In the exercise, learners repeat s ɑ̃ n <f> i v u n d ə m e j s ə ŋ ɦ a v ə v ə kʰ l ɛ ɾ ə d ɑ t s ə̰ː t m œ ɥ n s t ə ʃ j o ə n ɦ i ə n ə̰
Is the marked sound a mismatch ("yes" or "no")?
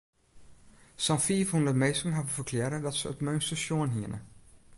no